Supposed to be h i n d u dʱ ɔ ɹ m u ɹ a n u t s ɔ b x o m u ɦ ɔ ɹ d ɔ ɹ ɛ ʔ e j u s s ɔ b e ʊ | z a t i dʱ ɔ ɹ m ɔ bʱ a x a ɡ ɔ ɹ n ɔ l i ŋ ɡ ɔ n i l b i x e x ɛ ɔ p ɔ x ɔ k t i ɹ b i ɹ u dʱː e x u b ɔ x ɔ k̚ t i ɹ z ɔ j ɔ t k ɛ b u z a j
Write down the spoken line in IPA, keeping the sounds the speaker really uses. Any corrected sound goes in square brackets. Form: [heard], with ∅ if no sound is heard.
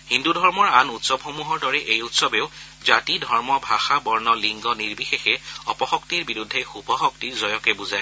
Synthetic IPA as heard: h i n d u dʱ ɔ ɹ m [ɔ] ɹ a n u t s ɔ b x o m u ɦ ɔ ɹ d ɔ ɹ ɛ ʔ e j u [t] s ɔ b e ʊ | z a t i dʱ ɔ ɹ m ɔ bʱ a x a [b] ɔ ɹ n ɔ l i ŋ ɡ ɔ n i [ɹ] b i x e x ɛ ɔ p ɔ x ɔ k t i ɹ b i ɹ u dʱː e x u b ɔ x ɔ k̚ t i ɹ z ɔ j ɔ [∅] k ɛ b u z a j